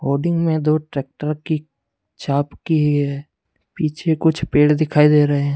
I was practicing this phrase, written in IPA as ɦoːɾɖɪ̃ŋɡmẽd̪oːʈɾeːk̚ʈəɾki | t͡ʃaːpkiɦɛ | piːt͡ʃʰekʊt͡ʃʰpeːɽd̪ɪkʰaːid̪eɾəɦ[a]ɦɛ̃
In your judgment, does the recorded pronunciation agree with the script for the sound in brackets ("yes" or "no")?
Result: no